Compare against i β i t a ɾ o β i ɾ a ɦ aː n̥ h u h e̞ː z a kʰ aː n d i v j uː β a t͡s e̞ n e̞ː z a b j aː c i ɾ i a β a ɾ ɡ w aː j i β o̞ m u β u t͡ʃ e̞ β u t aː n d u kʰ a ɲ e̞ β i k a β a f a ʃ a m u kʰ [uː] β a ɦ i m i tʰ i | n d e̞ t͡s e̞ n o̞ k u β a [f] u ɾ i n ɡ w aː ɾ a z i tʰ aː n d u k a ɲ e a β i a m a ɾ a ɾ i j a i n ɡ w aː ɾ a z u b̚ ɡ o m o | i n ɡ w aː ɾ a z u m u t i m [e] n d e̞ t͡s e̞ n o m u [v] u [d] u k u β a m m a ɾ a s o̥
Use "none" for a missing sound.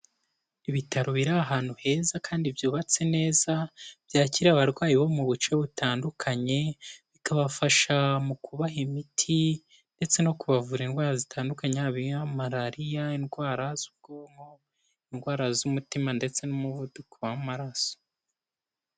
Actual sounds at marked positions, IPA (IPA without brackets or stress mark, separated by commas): u, v, a, β, d